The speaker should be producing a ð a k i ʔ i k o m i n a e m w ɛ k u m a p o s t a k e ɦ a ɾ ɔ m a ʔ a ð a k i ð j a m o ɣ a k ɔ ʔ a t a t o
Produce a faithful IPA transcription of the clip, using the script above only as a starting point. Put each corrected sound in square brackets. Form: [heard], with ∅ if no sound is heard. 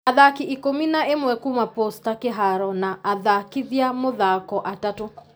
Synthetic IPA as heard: a ð a k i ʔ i k o m i n a e m w ɛ k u m a p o s t a k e ɦ a ɾ ɔ [n] a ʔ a ð a k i ð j a m o [ð] a k ɔ ʔ a t a t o